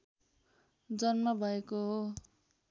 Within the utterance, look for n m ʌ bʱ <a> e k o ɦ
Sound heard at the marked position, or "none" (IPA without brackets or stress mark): ʌ